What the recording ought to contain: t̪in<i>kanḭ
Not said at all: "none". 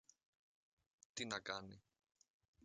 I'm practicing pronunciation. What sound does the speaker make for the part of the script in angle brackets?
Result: a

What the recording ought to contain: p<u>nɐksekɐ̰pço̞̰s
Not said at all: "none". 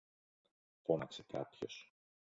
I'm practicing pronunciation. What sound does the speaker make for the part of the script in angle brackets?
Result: o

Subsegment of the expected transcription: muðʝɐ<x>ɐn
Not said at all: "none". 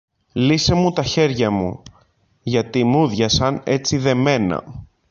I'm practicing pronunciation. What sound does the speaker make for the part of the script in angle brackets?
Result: s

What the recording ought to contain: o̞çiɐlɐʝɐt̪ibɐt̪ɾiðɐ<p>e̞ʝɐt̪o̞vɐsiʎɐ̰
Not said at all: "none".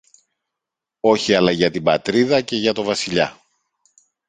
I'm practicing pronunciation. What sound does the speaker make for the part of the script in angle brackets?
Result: c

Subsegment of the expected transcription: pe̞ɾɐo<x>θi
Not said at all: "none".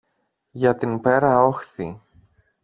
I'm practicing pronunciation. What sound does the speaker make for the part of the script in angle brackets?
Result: x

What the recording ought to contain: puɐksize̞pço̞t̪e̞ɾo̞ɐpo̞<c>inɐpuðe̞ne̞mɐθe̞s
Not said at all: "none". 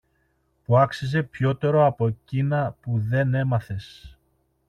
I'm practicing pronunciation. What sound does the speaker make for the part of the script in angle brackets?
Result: c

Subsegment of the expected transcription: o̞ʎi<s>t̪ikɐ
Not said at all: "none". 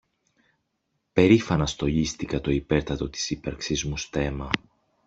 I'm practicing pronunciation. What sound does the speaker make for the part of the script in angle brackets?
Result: s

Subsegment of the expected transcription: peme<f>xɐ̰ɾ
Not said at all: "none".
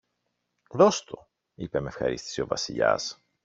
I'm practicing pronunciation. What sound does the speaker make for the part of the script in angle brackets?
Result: f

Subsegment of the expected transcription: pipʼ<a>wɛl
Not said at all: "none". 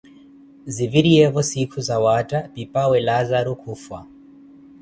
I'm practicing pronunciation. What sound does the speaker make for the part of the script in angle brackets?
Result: a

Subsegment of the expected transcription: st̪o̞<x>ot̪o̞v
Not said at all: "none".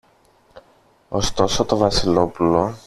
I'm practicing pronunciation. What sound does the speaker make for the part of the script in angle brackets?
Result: s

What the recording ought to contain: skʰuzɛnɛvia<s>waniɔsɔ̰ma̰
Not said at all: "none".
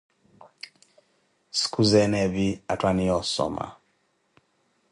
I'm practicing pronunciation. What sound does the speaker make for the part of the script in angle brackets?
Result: t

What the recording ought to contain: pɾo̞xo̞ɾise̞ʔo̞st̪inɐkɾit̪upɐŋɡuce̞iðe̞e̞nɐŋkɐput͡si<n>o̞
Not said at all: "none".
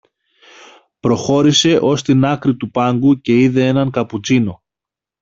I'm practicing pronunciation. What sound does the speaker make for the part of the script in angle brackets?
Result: n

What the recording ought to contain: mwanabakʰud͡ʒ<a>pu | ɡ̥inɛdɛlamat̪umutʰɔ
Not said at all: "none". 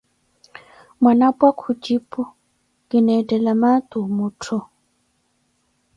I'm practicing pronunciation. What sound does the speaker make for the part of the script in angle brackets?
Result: i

